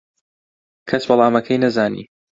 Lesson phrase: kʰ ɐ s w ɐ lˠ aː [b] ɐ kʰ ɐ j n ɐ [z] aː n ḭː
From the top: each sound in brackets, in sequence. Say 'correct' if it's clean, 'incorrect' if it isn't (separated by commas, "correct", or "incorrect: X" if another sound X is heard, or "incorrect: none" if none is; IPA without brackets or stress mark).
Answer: incorrect: m, correct